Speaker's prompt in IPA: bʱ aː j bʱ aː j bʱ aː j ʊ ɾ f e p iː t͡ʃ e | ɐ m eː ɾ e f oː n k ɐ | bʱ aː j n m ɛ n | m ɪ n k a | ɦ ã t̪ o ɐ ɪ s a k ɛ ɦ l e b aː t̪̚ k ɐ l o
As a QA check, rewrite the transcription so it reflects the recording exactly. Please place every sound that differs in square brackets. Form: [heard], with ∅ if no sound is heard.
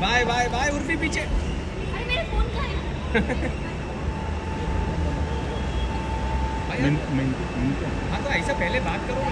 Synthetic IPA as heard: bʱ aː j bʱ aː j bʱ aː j ʊ ɾ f [i] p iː t͡ʃ e | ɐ m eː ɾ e f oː n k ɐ | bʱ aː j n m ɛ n | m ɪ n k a | ɦ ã t̪ o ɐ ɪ s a [p] ɛ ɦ l e b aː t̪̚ k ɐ [ɾ] o